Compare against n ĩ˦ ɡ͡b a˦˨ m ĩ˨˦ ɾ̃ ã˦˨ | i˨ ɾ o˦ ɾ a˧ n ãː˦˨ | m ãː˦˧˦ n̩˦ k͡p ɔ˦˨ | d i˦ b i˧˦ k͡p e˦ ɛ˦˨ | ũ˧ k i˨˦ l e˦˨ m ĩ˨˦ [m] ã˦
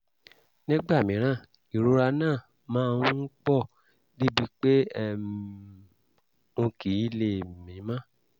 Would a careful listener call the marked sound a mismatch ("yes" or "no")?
no